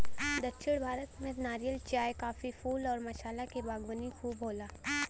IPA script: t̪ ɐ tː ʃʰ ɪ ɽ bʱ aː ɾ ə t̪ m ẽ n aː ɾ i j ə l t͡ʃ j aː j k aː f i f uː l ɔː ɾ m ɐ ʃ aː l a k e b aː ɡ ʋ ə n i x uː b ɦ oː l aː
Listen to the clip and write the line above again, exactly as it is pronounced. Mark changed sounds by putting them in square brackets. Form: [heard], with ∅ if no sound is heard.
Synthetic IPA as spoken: [d̪] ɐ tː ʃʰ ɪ ɽ bʱ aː ɾ ə t̪ m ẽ n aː ɾ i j ə l t͡ʃ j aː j k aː f i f uː l ɔː ɾ m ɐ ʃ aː l a k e b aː ɡ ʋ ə n i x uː b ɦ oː l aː